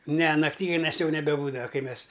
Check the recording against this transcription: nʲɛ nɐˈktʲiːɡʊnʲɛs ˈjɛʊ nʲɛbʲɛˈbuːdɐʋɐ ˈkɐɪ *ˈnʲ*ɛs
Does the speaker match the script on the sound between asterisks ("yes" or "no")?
no